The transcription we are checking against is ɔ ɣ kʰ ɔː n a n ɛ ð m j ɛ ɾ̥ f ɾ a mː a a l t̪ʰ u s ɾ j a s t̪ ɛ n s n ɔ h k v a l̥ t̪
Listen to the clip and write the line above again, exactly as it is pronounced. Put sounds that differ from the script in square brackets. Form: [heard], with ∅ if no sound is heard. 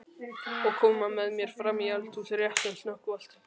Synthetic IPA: ɔ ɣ kʰ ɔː [m] a [m] ɛ ð m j ɛ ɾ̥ f ɾ a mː [i] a l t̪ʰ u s ɾ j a [h] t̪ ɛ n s n ɔ h k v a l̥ t̪

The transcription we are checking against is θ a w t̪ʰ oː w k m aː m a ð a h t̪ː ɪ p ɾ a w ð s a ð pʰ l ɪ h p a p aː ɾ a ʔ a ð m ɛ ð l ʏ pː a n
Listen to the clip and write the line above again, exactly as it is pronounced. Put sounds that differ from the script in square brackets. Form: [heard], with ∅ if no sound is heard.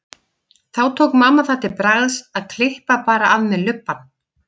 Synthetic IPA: θ a w t̪ʰ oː w k m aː m a [θ] a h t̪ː ɪ p ɾ a [ɣ] ð s a ð [kʰ] l ɪ h p a p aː ɾ a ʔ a ð m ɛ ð l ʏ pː a n

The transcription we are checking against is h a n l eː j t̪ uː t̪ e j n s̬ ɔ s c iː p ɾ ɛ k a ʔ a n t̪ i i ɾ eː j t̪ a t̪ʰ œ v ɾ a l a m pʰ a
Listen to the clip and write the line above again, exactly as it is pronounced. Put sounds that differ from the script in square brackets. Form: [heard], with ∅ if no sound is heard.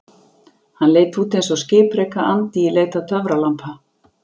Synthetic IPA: h a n l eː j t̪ uː t̪ e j n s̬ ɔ s c [ɪː] p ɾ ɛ k a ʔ a n t̪ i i [l] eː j t̪ a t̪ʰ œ v ɾ a l a m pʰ a

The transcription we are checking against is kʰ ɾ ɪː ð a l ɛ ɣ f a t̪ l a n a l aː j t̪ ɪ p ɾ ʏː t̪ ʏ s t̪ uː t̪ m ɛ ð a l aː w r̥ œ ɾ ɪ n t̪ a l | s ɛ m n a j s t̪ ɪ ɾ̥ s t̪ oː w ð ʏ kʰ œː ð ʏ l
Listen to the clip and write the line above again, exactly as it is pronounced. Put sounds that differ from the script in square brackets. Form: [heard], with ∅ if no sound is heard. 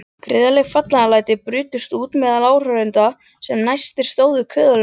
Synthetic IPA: kʰ ɾ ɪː ð a l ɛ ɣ f a t̪ l a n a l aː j t̪ ɪ p ɾ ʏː t̪ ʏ s t̪ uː t̪ m ɛ ð a l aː w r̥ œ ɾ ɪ n t̪ a [∅] | s ɛ m n a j s t̪ ɪ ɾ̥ s t̪ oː w ð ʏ kʰ œː ð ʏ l

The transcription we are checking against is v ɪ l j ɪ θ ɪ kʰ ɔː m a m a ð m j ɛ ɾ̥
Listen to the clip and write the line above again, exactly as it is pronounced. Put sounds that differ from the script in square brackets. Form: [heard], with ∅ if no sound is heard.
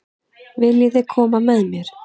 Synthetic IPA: v ɪ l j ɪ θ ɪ kʰ ɔː m a m [ɛ] ð m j ɛ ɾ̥

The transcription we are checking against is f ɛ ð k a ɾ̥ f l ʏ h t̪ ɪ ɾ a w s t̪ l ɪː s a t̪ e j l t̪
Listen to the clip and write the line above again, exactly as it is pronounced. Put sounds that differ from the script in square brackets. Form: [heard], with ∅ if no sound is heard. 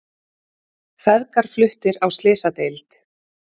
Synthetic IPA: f ɛ ð k a ɾ̥ f l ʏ h t̪ ɪ ɾ a w s t̪ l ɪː s a t̪ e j l t̪

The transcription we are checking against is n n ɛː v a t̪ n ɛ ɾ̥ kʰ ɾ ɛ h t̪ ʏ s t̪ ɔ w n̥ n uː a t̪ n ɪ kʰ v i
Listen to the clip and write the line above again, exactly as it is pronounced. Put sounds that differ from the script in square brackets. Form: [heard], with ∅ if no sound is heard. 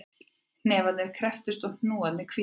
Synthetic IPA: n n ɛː v a t̪ n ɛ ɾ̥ kʰ ɾ ɛ [f] t̪ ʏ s t̪ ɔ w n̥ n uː a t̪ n ɪ kʰ v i

